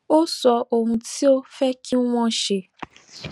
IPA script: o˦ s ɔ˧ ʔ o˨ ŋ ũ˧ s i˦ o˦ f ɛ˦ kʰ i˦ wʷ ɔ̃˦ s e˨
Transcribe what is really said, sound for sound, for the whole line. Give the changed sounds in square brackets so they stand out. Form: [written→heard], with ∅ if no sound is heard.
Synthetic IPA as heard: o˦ s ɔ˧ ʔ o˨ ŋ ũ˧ [s→t] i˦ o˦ f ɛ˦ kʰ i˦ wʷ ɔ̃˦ [s→ʃ] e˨